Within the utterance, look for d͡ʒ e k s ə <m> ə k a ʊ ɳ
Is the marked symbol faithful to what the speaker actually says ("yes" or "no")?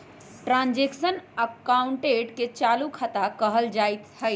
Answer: no